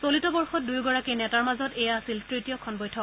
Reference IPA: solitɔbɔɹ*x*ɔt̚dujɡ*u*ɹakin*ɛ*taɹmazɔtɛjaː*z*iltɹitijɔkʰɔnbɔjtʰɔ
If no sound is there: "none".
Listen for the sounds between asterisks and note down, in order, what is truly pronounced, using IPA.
x, ɔ, ɛ, s

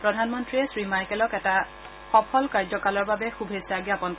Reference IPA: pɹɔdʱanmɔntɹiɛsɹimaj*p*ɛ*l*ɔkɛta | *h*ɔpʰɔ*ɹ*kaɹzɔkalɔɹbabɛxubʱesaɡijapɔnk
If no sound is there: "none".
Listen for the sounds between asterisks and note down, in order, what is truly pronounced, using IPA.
k, l, x, l

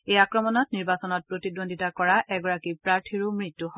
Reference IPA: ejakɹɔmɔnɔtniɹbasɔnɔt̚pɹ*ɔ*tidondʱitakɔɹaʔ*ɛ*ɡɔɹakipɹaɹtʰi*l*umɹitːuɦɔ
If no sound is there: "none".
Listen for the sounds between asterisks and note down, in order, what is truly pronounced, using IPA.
o, ɛ, ɹ

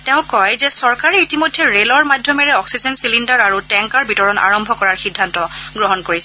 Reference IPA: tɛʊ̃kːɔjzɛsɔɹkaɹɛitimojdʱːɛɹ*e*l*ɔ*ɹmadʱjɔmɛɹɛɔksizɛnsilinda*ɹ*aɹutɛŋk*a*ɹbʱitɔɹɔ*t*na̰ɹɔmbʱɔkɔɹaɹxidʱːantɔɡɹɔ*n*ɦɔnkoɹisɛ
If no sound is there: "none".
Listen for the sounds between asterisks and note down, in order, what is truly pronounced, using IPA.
e, ɔ, ɹ, a, none, none

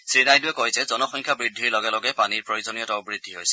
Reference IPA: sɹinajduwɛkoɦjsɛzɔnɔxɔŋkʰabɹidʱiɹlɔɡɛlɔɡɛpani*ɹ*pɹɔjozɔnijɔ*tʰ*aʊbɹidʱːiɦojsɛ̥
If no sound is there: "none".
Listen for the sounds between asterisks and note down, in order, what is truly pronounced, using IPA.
ɹ, t

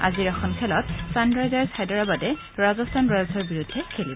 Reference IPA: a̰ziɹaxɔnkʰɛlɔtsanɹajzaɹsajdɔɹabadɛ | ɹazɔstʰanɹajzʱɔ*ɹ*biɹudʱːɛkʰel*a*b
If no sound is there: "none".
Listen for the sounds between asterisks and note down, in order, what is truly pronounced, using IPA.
ɹ, i

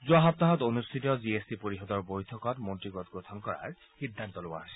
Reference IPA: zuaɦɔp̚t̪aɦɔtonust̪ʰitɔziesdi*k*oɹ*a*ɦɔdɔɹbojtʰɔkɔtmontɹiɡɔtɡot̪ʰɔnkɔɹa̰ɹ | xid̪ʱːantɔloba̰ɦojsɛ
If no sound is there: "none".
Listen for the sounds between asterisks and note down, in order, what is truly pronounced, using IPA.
p, i

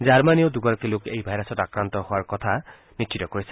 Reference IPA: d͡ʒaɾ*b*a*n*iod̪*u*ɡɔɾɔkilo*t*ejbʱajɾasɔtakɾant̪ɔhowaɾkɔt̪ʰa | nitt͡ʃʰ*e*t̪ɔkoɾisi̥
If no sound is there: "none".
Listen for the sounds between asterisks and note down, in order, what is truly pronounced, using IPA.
m, n, u, k, i

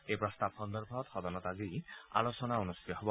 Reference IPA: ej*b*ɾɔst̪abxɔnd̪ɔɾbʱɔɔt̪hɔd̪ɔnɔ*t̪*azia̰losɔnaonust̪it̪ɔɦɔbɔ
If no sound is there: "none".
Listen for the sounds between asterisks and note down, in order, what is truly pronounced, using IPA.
p, t̪

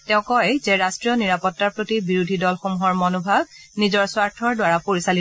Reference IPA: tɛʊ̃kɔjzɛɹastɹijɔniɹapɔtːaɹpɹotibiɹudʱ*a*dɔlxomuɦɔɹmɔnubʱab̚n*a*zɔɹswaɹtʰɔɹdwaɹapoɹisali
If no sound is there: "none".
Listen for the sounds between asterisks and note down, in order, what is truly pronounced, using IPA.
i, i

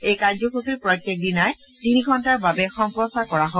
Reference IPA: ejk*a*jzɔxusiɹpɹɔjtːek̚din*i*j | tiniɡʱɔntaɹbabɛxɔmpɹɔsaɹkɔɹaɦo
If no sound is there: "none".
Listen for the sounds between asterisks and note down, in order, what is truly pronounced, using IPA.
a, a

